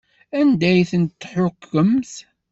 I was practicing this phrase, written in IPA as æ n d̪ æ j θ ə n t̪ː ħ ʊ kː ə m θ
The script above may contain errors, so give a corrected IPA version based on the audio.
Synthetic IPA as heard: æ n d̪ æ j θ ə n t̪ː ħ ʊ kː ə m θ